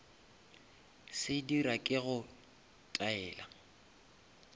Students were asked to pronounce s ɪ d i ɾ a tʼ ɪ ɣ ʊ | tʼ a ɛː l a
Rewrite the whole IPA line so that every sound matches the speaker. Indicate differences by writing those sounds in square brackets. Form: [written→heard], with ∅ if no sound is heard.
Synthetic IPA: s ɪ d i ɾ a [tʼ→kʼ] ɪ ɣ ʊ | tʼ a ɛː l a